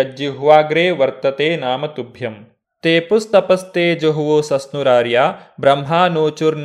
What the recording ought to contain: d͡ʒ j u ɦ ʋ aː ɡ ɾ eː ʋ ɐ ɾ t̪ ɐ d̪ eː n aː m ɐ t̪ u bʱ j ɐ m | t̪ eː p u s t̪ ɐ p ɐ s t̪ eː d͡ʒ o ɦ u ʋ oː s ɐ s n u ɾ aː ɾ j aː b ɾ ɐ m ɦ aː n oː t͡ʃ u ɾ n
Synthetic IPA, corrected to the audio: d͡ʒ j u ɦ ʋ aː ɡ ɾ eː ʋ ɐ ɾ t̪ ɐ t̪ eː n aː m ɐ t̪ u bʱ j ɐ m | t̪ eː p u s t̪ ɐ p ɐ s t̪ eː d͡ʒ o ɦ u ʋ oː s ɐ s n u ɾ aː ɾ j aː b ɾ ɐ m ɦ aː n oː t͡ʃ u ɾ n